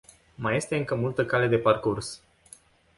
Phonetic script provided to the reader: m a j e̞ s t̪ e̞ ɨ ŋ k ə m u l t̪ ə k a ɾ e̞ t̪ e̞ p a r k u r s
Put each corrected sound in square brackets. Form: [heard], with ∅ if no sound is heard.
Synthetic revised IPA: m a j e̞ s t̪ e̞ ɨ ŋ k ə m u l t̪ ə k a [l] e̞ [d̪] e̞ p a r k u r s

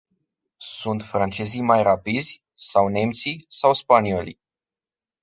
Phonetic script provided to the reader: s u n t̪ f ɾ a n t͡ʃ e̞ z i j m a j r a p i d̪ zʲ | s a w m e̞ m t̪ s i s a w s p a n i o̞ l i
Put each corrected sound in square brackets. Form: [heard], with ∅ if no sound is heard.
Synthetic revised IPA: s u n t̪ f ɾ a n t͡ʃ e̞ z i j m a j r a p i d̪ zʲ | s a w [n] e̞ m t̪ s i s a w s p a n i o̞ l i

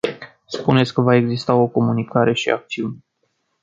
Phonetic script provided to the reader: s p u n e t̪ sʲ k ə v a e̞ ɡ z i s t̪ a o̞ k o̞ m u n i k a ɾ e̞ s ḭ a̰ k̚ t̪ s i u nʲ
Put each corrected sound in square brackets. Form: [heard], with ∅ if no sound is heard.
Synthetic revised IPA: s p u n e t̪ sʲ k ə v a e̞ ɡ z i s t̪ a o̞ k o̞ m u n i k a ɾ e̞ [ʃ] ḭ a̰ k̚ t̪ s i u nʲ

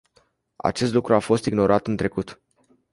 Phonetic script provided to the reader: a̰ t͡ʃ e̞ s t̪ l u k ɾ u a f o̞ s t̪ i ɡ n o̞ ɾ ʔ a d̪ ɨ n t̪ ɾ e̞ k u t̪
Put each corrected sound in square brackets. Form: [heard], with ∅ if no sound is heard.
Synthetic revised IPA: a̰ t͡ʃ e̞ s t̪ l u k ɾ u a f o̞ s t̪ i ɡ n o̞ ɾ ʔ a [t̪] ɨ n t̪ ɾ e̞ k u t̪

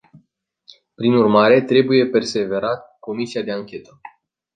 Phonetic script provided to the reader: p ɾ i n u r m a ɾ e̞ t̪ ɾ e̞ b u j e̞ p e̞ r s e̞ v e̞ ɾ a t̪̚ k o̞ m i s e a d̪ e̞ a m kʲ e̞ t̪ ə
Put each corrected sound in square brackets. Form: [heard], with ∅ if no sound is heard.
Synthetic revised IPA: p ɾ i n u r m a ɾ e̞ t̪ ɾ e̞ b u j e̞ p e̞ r s e̞ v e̞ ɾ a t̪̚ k o̞ m i s [i] a d̪ e̞ a [ŋ] kʲ e̞ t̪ ə

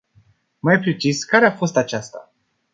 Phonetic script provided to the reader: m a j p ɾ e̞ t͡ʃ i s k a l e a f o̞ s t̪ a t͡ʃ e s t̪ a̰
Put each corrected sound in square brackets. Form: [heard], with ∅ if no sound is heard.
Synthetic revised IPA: m a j p ɾ e̞ t͡ʃ i s k a [ɾ] e a f o̞ s t̪ a t͡ʃ [a] s t̪ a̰

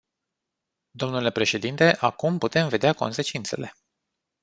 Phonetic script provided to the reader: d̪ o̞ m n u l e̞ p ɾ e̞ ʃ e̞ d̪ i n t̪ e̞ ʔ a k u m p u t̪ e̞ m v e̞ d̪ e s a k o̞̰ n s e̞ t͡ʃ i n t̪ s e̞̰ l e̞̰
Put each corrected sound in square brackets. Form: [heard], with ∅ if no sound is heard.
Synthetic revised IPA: d̪ o̞ m n u l e̞ p ɾ e̞ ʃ e̞ d̪ i n t̪ e̞ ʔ a k u m p u t̪ e̞ m v e̞ d̪ e [∅] a k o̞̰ n s e̞ t͡ʃ i n t̪ s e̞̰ l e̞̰

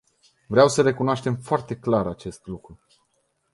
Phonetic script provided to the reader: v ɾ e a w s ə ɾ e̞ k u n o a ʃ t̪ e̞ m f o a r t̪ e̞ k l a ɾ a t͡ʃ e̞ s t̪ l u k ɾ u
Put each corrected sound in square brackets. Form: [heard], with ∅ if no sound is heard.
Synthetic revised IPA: v ɾ e a w s ə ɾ e̞ k u n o a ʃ t̪ e̞ m f o a r t̪ e̞ k l a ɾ a t͡ʃ e̞ s t̪ l u k ɾ u

